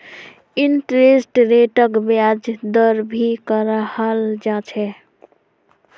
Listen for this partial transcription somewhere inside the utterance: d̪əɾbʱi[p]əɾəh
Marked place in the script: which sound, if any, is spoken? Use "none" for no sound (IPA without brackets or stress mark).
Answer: k